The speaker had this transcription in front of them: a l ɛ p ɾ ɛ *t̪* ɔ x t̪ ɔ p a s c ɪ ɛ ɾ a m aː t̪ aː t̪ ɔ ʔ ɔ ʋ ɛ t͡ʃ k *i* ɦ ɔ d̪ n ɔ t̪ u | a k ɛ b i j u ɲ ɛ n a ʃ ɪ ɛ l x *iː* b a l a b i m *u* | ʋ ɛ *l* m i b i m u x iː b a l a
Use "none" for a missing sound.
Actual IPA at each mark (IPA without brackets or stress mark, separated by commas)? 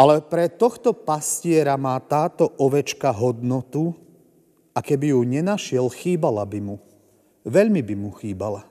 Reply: t̪, a, iː, u, ʎ